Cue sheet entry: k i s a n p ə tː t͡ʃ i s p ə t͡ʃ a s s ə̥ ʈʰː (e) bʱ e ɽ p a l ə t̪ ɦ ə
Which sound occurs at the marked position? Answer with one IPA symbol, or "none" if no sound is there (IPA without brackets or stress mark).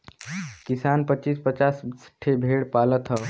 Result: e